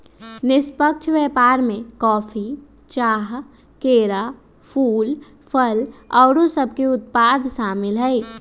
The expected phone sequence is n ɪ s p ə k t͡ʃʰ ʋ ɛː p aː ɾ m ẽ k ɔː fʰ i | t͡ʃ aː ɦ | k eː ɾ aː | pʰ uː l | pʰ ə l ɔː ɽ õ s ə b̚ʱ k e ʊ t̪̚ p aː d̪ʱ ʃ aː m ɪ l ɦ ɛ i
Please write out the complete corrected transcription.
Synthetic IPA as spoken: n ɪ s p ə k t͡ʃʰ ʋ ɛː p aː ɾ m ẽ k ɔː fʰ i | t͡ʃ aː ɦ | k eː ɾ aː | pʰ uː l | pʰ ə l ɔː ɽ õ s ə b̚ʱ k e ʊ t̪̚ p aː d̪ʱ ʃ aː m ɪ l ɦ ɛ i